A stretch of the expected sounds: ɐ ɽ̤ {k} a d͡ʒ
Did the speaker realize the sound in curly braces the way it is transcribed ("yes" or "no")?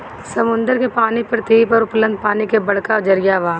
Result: yes